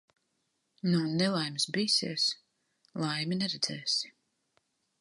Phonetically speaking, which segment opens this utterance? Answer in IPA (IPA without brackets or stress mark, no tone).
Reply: n